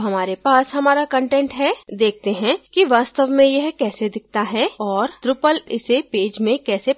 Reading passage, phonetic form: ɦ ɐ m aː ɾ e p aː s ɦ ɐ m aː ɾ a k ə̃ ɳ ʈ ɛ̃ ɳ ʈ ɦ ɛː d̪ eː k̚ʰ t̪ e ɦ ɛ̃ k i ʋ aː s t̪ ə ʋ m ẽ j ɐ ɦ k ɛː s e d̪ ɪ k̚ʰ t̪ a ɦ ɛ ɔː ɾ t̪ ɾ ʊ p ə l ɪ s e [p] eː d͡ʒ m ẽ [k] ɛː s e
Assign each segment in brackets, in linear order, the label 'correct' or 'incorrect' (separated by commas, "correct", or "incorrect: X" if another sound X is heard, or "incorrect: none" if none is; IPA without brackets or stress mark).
correct, correct